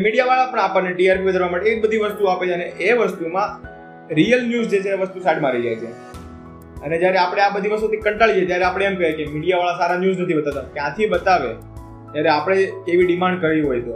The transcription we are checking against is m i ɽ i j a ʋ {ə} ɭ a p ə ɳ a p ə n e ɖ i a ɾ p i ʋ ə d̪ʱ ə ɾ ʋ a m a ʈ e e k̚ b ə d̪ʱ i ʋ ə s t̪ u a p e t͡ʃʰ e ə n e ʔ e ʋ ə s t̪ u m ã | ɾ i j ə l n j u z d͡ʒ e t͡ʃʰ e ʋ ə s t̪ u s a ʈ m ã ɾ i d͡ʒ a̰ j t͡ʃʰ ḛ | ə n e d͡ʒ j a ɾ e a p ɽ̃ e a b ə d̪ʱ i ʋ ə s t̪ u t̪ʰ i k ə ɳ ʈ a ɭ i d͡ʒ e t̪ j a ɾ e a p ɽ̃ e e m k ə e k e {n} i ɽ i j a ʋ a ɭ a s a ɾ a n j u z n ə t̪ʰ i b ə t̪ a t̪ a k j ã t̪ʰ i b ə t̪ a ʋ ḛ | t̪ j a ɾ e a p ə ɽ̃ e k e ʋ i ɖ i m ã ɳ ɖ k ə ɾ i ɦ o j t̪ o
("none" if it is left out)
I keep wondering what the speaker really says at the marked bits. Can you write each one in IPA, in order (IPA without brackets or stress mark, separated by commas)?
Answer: a, m